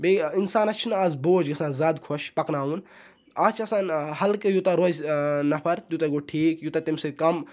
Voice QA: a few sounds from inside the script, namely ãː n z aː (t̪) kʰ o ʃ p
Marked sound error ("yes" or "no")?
yes